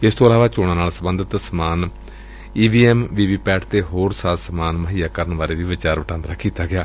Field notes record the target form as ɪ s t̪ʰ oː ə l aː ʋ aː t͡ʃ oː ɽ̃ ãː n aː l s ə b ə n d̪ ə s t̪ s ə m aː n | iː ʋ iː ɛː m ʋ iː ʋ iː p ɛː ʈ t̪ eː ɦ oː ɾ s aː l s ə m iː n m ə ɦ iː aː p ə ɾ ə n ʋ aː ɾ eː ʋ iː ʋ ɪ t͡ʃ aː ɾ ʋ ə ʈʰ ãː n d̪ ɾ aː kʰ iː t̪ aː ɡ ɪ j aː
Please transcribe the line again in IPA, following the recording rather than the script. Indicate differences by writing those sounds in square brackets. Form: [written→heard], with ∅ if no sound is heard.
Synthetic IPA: ɪ s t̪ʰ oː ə l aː ʋ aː t͡ʃ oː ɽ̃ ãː n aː l s ə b ə n d̪ ə [s→∅] t̪ s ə m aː n | iː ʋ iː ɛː m ʋ iː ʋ iː p ɛː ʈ t̪ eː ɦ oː ɾ s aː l s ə m [iː→aː] n m ə ɦ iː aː [p→k] ə ɾ ə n ʋ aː ɾ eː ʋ iː ʋ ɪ t͡ʃ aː ɾ ʋ ə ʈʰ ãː n d̪ ɾ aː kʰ iː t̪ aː ɡ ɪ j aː